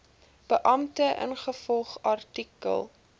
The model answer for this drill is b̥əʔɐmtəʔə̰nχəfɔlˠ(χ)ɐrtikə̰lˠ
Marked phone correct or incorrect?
correct